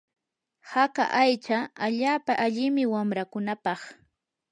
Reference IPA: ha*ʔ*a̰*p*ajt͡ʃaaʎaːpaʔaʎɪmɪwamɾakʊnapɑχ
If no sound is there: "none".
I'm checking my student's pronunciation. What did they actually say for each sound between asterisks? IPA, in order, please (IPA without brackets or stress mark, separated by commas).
k, ʔ